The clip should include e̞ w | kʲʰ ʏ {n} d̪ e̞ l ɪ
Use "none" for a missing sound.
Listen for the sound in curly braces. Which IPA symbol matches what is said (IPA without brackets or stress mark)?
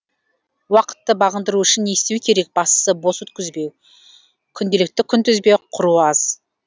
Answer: n